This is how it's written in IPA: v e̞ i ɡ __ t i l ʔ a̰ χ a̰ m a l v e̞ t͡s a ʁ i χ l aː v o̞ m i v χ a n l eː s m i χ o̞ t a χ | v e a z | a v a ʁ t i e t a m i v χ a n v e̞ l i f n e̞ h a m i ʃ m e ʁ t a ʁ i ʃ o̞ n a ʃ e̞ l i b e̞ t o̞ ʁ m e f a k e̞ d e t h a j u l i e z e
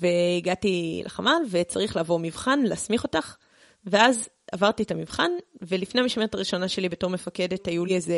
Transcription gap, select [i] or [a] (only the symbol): a